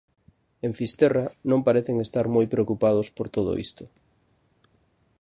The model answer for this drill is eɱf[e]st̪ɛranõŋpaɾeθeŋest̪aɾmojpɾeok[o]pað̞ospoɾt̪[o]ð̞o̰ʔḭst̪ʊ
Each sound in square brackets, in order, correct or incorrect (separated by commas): incorrect, incorrect, correct